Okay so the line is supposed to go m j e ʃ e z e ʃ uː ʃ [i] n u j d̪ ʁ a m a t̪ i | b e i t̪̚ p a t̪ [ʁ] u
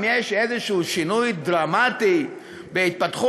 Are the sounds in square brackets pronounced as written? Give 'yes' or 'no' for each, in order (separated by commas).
yes, no